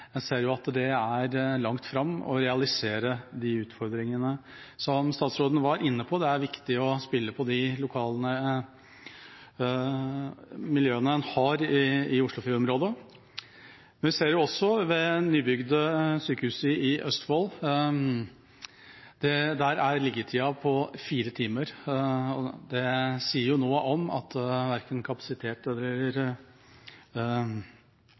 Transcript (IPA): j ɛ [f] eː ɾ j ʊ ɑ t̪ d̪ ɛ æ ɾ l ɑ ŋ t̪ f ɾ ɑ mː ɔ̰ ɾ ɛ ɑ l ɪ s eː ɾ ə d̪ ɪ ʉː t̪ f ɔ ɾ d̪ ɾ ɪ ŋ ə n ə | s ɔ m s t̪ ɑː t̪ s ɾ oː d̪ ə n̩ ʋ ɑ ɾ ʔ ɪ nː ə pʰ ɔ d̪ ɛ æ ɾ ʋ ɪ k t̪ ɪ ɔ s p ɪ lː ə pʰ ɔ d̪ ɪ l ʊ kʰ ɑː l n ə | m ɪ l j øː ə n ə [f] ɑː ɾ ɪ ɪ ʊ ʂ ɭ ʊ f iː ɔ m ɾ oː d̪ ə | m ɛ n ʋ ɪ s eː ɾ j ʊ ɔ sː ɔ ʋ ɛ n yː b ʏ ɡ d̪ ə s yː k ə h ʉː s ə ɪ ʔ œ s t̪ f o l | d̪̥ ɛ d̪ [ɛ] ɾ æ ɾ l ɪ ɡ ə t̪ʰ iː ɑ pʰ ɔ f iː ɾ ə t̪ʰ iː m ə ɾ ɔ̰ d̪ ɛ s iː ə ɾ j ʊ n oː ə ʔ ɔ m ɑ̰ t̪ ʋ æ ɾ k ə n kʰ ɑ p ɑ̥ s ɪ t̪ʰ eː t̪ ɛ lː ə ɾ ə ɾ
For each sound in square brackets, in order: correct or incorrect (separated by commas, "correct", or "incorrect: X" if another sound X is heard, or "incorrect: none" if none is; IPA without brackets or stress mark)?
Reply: incorrect: s, incorrect: h, incorrect: æ